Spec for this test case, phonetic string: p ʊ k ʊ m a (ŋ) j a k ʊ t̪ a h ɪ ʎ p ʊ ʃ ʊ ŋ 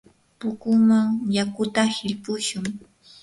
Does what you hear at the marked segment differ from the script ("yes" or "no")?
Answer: no